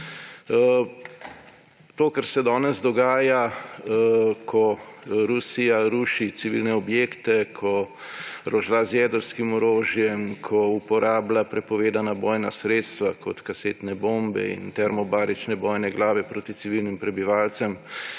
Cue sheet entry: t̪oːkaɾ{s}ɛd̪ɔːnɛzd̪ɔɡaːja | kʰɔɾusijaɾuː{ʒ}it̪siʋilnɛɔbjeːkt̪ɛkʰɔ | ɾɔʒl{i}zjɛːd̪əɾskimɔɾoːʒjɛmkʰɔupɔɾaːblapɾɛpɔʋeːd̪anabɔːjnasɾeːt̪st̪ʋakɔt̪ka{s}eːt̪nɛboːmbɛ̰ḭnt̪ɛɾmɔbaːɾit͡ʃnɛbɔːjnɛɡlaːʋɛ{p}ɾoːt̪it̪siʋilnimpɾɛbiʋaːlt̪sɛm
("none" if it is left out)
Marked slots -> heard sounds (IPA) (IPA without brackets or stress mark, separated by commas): s, ʃ, a, s, p